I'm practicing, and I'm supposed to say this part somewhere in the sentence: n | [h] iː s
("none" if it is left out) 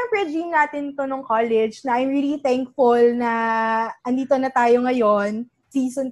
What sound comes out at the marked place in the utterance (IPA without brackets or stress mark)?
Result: s